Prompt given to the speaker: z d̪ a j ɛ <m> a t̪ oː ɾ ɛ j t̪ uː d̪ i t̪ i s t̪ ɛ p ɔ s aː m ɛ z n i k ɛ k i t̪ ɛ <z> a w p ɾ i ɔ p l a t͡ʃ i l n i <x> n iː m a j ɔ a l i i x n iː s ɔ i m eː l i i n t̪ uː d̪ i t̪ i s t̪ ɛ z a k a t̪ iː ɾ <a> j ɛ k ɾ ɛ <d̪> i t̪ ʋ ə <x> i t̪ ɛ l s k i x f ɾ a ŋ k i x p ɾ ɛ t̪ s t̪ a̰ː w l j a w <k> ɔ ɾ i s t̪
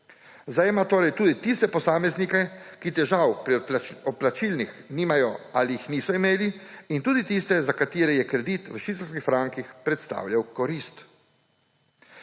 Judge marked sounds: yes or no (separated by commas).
yes, no, yes, no, yes, no, yes